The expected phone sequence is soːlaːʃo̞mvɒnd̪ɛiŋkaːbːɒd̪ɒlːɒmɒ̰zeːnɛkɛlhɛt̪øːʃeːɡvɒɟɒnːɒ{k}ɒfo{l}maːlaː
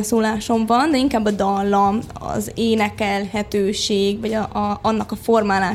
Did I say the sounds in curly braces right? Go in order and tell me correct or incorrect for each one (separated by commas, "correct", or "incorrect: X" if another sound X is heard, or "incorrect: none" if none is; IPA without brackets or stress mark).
correct, incorrect: r